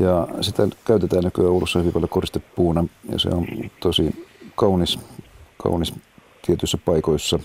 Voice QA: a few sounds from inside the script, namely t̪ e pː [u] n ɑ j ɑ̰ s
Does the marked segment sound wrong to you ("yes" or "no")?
yes